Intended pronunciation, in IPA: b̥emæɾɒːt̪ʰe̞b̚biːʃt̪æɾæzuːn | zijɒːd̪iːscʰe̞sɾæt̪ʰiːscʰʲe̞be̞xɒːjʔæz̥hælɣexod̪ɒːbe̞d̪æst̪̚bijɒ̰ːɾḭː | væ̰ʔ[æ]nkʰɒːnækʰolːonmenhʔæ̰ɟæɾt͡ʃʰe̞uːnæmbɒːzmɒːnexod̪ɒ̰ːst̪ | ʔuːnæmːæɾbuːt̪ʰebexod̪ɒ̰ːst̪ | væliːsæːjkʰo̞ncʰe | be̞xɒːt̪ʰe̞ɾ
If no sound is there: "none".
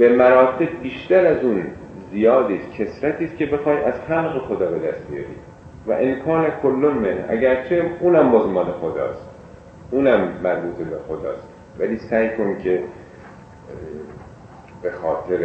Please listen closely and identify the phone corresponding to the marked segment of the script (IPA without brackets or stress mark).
e